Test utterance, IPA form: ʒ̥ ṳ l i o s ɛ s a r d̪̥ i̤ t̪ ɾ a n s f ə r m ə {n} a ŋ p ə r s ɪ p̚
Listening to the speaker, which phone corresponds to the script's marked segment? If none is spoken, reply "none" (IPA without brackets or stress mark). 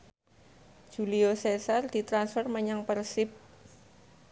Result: ɲ